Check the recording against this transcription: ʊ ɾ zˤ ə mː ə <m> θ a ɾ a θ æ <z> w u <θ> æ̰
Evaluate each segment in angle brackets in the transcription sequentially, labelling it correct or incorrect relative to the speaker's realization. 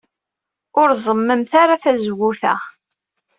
correct, correct, correct

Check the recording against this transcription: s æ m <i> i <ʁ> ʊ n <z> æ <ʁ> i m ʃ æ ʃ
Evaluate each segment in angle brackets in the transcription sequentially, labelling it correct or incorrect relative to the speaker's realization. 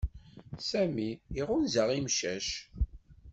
correct, correct, correct, correct

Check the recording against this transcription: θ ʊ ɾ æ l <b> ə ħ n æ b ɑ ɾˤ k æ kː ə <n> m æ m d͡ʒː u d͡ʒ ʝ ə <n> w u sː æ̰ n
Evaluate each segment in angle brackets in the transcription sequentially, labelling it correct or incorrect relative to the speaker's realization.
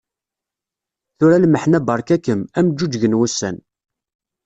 incorrect: m, incorrect: none, correct

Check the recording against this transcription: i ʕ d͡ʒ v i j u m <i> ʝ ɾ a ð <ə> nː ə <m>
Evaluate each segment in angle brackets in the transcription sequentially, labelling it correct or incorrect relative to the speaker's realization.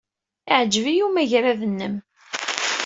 incorrect: æ, correct, correct

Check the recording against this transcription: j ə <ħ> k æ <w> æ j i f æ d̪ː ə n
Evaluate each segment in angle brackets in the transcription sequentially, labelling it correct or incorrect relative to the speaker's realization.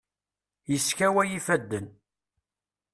incorrect: s, correct

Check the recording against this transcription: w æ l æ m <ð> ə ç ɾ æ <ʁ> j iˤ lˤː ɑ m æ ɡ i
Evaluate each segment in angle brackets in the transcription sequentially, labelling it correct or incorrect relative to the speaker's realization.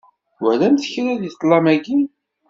incorrect: θ, incorrect: ð

